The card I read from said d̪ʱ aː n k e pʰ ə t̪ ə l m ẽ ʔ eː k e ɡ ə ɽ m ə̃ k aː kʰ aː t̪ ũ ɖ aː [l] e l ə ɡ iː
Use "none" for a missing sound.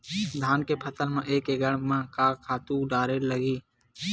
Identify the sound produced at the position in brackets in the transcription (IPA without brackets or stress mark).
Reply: ɾ